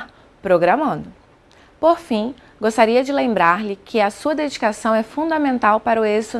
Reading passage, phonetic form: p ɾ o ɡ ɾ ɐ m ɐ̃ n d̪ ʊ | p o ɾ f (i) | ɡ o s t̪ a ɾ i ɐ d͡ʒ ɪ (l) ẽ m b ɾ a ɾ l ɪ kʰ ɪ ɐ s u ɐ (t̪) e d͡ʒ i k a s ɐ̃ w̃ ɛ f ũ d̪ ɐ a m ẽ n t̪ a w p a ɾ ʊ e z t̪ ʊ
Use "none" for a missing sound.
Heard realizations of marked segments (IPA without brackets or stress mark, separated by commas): ĩ, l, d̪